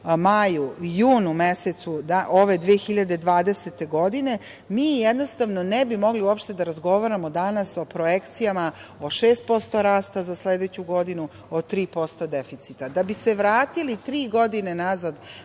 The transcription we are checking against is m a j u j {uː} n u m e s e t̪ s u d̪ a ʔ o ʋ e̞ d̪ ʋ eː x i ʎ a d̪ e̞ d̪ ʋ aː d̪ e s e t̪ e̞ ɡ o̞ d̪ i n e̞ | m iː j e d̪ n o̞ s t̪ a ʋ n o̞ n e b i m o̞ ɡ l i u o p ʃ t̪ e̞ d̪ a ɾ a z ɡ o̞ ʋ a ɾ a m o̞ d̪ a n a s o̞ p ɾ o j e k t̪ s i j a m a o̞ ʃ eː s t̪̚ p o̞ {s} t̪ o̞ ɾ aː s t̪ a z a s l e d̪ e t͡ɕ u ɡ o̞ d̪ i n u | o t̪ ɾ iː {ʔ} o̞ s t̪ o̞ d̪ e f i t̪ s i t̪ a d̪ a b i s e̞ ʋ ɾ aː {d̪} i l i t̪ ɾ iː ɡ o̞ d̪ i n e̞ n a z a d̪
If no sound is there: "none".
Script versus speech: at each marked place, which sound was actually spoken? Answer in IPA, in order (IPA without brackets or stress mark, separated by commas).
uː, s, p, t̪